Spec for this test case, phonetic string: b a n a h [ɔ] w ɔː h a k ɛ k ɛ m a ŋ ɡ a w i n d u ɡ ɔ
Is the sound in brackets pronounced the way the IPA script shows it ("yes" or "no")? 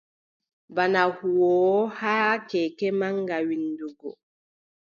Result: no